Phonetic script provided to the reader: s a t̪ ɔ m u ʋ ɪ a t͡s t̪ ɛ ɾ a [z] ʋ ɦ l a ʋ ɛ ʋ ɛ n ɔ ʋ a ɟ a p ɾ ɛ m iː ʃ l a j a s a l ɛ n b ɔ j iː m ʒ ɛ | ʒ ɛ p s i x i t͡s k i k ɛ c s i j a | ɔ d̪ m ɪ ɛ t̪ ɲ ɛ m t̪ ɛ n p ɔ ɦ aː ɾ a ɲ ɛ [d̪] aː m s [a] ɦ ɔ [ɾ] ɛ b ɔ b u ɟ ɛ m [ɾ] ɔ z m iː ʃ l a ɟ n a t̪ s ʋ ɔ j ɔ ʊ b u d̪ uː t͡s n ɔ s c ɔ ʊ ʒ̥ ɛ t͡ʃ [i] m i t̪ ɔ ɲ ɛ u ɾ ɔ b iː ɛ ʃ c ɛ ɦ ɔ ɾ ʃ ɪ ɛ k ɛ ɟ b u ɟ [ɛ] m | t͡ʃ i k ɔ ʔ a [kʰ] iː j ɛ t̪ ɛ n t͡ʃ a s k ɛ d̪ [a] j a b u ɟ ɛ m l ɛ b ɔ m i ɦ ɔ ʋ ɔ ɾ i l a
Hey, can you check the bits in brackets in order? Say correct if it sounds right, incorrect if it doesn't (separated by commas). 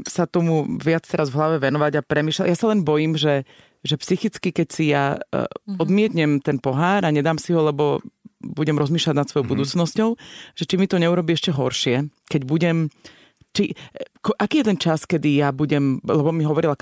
correct, correct, incorrect, incorrect, correct, correct, correct, incorrect, incorrect